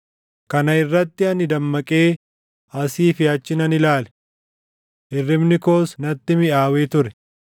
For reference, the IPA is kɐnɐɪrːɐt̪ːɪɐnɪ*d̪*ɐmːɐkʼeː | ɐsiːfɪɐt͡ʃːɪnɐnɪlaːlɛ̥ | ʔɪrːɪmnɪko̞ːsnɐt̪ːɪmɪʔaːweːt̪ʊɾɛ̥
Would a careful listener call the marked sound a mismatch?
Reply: no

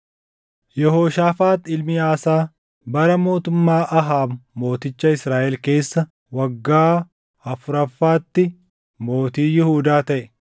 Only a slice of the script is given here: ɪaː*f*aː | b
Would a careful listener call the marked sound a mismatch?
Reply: yes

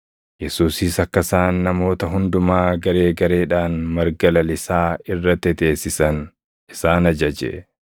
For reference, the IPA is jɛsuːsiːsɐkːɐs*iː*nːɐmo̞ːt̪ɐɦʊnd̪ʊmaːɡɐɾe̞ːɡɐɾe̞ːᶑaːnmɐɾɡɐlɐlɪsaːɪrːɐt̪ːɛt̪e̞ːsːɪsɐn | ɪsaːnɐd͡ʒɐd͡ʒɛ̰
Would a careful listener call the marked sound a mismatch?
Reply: yes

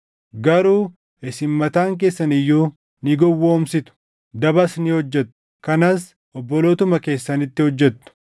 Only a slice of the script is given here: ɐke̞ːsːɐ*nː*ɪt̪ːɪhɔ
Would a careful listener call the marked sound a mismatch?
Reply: yes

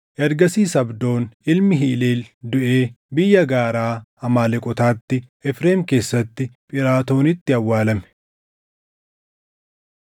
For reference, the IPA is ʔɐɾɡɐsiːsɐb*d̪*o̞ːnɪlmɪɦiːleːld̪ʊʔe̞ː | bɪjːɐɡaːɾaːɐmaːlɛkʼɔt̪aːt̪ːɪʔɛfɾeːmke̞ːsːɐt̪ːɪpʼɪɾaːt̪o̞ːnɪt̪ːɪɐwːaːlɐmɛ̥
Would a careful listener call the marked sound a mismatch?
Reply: no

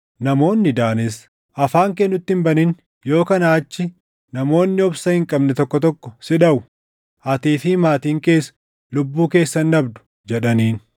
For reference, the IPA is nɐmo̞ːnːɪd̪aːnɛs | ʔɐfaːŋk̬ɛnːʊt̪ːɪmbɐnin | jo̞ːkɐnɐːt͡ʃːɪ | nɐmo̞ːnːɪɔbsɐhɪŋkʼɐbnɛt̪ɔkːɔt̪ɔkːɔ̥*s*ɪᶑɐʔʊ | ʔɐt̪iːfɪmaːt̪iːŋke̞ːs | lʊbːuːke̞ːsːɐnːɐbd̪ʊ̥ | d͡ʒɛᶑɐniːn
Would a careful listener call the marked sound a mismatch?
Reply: no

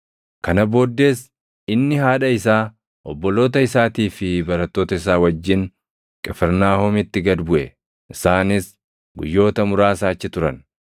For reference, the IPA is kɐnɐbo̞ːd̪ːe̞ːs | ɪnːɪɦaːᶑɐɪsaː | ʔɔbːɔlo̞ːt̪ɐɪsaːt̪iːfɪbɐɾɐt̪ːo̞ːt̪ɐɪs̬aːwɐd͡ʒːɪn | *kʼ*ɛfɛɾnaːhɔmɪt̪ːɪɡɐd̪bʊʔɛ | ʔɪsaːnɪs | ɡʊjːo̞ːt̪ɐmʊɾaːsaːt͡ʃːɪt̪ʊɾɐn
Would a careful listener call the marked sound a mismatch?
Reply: no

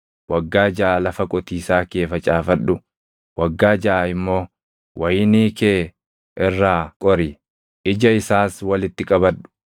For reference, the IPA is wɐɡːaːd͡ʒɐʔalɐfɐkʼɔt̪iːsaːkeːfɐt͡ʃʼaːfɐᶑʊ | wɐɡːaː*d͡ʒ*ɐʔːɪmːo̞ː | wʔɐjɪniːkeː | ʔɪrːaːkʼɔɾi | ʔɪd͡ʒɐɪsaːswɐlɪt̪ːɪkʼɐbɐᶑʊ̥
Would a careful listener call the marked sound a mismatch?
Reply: no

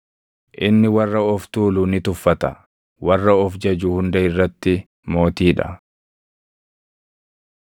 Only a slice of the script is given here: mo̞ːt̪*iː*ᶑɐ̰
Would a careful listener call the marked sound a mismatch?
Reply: no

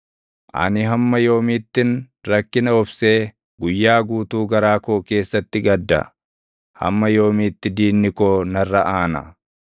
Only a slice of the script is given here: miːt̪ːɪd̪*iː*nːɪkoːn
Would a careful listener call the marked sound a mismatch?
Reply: no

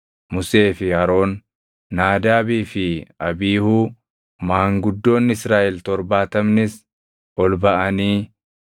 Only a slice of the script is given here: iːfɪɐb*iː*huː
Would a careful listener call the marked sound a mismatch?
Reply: no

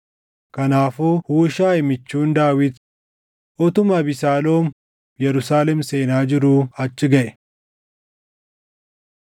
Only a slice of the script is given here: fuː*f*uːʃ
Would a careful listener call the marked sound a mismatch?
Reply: yes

